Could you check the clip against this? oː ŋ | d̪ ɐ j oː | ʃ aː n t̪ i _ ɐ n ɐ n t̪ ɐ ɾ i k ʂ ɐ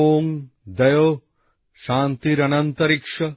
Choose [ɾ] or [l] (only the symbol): ɾ